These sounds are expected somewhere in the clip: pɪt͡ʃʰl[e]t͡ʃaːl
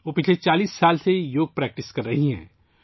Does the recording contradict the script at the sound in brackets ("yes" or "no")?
no